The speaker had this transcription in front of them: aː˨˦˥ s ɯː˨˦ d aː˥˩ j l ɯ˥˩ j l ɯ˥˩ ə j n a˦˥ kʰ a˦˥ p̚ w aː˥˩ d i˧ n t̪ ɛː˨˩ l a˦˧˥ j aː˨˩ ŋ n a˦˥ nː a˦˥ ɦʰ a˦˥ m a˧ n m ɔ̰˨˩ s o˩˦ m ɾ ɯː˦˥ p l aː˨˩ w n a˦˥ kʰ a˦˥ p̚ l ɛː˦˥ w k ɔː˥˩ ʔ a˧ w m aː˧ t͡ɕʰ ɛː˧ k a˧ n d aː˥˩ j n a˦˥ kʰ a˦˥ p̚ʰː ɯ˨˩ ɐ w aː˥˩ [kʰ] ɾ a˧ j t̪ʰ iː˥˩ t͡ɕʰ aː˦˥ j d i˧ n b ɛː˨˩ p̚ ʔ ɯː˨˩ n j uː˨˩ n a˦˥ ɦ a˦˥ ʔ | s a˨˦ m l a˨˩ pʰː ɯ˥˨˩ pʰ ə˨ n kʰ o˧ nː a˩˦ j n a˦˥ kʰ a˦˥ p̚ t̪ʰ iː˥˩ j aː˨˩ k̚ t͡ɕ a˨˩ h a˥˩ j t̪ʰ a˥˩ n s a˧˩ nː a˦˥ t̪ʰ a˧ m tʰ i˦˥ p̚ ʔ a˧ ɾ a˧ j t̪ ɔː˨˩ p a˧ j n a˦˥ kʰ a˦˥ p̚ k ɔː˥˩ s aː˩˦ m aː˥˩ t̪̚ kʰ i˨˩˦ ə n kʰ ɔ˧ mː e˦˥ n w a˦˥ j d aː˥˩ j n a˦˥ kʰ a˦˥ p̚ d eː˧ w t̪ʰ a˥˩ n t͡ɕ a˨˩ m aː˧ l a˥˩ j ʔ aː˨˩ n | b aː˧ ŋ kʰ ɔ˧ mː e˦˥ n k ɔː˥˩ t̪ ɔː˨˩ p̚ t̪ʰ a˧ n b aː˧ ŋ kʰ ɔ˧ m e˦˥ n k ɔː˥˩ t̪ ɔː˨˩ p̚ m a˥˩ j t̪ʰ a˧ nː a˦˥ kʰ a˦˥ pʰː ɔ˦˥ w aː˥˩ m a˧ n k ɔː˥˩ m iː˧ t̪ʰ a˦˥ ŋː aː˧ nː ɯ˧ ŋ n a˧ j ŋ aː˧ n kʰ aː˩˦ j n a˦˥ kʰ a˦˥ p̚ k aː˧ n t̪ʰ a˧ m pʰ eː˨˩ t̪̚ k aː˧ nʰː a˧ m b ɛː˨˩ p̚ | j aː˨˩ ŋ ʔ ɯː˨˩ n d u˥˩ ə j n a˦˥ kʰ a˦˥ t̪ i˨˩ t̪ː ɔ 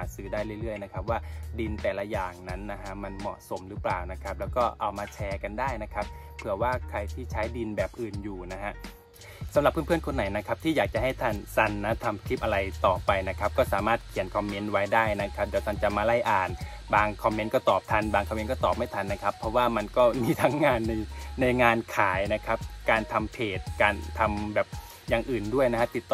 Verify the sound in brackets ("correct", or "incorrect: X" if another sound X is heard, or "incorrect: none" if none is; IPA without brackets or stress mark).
correct